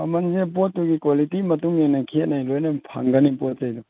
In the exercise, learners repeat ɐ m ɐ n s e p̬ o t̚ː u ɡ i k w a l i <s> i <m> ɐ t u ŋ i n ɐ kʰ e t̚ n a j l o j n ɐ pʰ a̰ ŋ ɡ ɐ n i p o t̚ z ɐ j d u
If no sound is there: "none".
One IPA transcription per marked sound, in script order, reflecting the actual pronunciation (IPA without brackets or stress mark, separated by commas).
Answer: t, m